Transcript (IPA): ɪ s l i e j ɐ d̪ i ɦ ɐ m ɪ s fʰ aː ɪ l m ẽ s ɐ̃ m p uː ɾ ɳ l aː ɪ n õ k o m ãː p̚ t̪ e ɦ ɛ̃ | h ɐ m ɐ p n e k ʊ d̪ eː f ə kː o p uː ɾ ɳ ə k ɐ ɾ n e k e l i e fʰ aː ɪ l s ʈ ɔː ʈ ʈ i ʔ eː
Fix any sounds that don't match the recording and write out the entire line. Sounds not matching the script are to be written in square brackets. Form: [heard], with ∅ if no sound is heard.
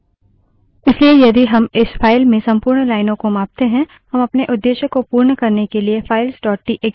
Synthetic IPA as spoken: ɪ s l i e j ɐ d̪ i ɦ ɐ m ɪ s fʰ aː ɪ l m ẽ s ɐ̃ m p uː ɾ ɳ l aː ɪ n õ k o m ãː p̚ t̪ e ɦ ɛ̃ | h ɐ m ɐ p n e [ʔ] ʊ [d̪ː] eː [ʃ] ə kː o p uː ɾ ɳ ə k ɐ ɾ n e k e l i e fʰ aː ɪ l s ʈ ɔː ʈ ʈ i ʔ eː